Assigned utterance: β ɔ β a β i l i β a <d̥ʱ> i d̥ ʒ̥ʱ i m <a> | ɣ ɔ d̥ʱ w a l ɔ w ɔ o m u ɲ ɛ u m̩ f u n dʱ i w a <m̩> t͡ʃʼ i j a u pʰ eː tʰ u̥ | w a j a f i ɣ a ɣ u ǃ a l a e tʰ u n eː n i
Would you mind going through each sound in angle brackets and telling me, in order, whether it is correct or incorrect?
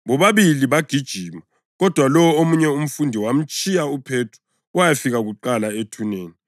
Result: incorrect, correct, correct

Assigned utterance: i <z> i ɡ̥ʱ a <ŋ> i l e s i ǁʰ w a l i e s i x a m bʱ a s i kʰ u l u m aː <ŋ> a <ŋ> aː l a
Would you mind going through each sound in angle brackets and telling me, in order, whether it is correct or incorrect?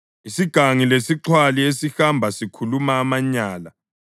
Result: incorrect, correct, incorrect, incorrect

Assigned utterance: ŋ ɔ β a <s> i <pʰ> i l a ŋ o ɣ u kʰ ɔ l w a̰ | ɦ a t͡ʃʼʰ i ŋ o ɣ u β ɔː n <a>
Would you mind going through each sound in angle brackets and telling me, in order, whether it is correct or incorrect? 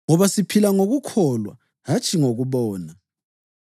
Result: correct, correct, correct

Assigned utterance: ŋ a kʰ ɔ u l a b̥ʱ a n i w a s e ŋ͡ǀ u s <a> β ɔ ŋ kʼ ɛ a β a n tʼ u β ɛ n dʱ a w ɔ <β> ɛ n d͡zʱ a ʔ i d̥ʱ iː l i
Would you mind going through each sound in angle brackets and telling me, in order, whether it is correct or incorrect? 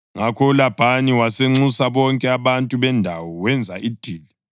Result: correct, incorrect

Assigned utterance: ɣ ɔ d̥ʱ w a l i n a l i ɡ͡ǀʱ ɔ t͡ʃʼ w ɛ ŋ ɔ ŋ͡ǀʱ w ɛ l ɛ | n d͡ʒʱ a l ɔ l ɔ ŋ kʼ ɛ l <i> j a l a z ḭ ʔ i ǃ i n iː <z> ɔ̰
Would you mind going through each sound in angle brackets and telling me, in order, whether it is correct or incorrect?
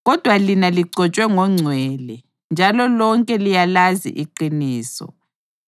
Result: correct, incorrect

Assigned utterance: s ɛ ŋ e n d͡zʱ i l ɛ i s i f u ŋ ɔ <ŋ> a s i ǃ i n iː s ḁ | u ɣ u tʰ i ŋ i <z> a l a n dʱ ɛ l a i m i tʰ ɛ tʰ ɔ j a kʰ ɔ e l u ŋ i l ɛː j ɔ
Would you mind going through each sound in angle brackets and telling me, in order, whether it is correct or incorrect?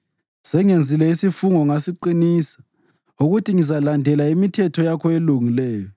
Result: correct, correct

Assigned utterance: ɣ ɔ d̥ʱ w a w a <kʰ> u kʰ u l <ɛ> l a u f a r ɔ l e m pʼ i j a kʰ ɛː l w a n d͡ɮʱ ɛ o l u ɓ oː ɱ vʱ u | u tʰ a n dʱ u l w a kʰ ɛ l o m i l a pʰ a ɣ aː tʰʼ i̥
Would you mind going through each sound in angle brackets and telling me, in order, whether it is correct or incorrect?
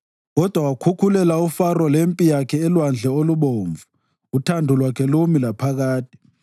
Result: correct, correct

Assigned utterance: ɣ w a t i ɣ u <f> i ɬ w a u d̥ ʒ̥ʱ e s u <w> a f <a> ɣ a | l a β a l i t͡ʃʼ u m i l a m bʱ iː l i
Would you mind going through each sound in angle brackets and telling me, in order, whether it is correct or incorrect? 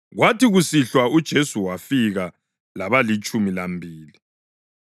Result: incorrect, correct, incorrect

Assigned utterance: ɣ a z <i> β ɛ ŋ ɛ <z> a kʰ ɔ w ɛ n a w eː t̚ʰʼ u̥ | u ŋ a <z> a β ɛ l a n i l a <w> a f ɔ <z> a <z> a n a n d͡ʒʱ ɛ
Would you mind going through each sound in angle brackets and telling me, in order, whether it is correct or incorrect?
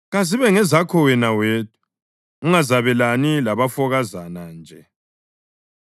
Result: correct, correct, correct, incorrect, incorrect, correct

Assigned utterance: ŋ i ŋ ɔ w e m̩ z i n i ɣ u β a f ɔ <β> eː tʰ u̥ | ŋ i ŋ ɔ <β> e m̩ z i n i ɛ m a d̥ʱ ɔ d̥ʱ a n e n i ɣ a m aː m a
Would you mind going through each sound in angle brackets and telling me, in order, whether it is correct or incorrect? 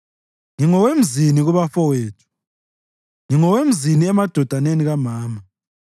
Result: incorrect, incorrect

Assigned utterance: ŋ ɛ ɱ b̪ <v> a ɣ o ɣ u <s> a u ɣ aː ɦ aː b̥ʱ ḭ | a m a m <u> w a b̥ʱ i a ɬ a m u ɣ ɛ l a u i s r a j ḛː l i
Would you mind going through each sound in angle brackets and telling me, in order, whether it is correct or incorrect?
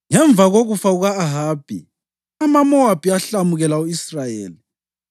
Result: correct, incorrect, incorrect

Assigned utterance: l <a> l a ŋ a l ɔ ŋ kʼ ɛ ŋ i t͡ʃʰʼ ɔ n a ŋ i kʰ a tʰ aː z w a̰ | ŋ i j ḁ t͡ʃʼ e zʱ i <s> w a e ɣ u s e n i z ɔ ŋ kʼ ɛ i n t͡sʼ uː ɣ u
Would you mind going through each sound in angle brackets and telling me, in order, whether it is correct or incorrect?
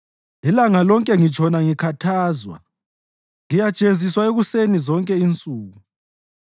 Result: incorrect, correct

